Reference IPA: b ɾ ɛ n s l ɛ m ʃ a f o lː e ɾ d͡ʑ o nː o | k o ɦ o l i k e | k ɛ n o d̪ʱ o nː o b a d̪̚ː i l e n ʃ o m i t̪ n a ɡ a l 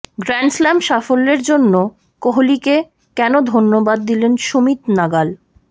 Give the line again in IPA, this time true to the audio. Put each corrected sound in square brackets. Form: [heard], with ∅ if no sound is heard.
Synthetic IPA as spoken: [ɡ] ɾ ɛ n s l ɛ m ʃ a f o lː e ɾ d͡ʑ o nː o | k o ɦ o l i k e | k ɛ n o d̪ʱ o nː o b a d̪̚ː i l e n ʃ o m i t̪ n a ɡ a l